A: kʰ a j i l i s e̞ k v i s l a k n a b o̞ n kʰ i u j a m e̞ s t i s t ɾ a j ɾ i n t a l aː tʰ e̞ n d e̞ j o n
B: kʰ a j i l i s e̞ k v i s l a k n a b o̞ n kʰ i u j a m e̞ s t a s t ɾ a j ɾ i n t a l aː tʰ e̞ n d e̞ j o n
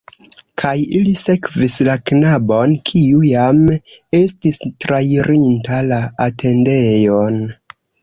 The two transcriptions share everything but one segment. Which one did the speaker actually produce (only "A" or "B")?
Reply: A